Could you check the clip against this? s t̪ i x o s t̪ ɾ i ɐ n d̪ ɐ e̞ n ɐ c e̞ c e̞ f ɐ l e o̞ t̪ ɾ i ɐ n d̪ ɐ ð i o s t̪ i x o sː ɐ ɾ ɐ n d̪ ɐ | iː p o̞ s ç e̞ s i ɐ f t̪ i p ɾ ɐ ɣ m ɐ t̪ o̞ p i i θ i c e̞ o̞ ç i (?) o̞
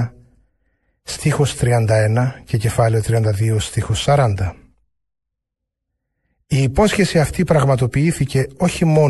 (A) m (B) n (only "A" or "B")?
A